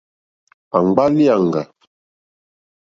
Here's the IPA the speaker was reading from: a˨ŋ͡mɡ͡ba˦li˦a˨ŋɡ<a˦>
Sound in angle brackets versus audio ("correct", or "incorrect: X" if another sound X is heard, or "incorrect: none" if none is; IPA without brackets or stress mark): incorrect: a˨